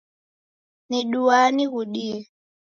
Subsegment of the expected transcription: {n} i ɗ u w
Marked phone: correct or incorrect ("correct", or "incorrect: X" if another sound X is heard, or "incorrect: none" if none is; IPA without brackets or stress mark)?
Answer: correct